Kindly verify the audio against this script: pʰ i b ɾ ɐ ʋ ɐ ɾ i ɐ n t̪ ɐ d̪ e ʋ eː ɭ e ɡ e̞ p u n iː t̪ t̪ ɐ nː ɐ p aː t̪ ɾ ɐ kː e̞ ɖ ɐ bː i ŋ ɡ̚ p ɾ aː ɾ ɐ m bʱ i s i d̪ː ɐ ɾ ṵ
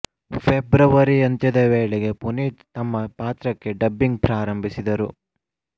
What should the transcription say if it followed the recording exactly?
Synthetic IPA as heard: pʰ e b ɾ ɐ ʋ ɐ ɾ i ɐ n t̪ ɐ d̪ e ʋ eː ɭ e ɡ e̞ p u n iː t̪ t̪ ɐ mː ɐ p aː t̪ ɾ ɐ kː e̞ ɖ ɐ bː i ŋ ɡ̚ p ɾ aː ɾ ɐ m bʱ i s i d̪ ɐ ɾ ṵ